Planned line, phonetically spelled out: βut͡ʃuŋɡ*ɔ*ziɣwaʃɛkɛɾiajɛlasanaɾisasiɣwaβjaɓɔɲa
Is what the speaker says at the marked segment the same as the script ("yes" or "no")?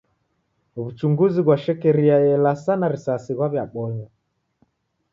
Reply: no